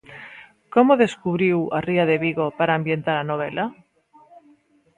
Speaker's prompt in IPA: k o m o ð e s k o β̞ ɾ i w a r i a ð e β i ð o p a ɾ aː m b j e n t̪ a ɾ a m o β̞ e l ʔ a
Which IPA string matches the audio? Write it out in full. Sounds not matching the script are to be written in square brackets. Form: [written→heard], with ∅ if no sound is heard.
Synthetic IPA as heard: k o m o ð e s k [o→u] β̞ ɾ i w a r i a ð e β i [ð→ɣ] o p a ɾ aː m b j e n t̪ a ɾ a [m→n] o β̞ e l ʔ a